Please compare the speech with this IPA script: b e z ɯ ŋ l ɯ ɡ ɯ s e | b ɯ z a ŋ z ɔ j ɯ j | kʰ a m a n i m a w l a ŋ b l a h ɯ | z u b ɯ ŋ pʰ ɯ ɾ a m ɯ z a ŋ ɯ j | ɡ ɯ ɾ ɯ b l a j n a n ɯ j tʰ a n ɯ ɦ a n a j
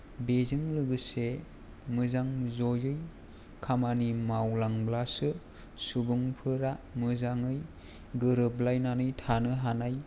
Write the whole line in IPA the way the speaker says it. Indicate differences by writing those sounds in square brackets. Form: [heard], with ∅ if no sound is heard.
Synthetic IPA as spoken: b e z ɯ ŋ l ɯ ɡ ɯ s e | [m] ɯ z a ŋ z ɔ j ɯ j | kʰ a m a n i m a w l a ŋ b l a [s] ɯ | [s] u b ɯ ŋ pʰ ɯ ɾ a m ɯ z a ŋ ɯ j | ɡ ɯ ɾ ɯ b l a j n a n ɯ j tʰ a n ɯ ɦ a n a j